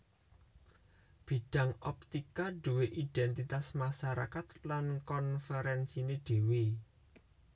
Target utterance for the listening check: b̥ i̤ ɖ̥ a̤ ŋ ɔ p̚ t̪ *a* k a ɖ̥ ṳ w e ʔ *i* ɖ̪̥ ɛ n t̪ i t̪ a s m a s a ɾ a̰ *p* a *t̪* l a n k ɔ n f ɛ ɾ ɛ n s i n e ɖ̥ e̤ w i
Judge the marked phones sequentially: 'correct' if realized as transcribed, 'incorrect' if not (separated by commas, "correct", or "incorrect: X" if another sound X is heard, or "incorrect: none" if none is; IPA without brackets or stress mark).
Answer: incorrect: i, correct, incorrect: k, correct